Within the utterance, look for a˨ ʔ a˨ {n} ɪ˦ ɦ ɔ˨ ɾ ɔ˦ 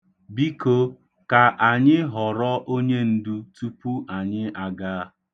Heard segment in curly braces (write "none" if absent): ɲ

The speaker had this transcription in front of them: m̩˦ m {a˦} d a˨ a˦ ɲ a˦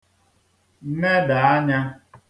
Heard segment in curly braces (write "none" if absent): e˦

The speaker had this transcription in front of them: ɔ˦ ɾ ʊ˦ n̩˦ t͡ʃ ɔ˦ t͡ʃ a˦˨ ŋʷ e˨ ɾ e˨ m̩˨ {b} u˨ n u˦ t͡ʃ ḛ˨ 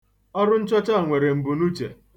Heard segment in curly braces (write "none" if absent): b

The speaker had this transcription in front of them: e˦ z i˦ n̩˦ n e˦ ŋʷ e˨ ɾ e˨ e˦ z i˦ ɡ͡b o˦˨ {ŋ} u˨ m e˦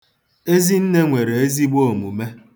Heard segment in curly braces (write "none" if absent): m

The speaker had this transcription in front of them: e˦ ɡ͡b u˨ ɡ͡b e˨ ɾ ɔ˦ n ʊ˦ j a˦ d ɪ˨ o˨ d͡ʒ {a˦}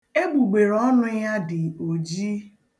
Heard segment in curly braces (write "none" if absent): i˦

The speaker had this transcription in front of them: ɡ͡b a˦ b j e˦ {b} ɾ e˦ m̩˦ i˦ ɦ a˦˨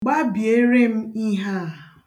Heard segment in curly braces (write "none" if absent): none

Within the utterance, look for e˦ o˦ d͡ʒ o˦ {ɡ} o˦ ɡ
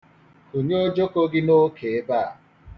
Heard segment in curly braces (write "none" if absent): k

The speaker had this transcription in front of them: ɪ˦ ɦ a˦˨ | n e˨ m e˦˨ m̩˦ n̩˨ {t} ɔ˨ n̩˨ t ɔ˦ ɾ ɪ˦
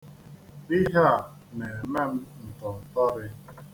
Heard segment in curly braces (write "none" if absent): t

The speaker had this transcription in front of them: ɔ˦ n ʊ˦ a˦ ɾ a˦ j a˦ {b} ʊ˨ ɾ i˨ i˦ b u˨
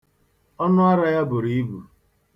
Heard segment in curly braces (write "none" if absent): b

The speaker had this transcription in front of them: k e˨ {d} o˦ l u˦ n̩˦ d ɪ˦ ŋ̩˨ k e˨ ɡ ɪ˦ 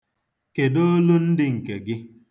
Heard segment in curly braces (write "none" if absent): d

